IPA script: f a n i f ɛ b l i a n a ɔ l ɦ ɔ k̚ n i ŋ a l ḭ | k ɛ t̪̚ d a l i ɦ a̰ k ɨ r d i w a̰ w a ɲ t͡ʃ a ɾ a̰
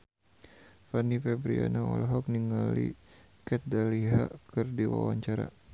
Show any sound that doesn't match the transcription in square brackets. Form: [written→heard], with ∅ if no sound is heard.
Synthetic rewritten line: f a n i f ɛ b [l→ɾ] i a n a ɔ l ɦ ɔ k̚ n i ŋ a l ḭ | k ɛ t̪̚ d a l i ɦ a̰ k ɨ r d i w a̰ w a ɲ t͡ʃ a ɾ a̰